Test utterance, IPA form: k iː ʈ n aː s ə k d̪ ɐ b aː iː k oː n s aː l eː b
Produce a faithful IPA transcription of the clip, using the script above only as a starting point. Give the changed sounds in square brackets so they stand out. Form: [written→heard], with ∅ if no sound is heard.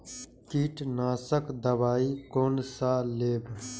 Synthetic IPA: k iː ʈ n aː s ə k d̪ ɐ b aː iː k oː n s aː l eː b